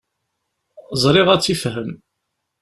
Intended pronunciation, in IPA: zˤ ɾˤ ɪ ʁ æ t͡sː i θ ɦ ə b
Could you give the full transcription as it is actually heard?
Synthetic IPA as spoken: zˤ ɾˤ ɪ ʁ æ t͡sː i f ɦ ə m

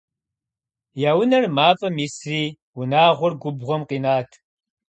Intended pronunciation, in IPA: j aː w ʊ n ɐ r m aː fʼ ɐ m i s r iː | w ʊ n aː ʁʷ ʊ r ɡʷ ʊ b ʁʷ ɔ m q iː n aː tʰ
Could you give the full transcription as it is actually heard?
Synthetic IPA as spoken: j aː w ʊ n ɐ r m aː fʼ ɐ m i s r iː | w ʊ n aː ʁʷ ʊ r ɡʷ ʊ b ʁʷ ɔ m q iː n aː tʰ

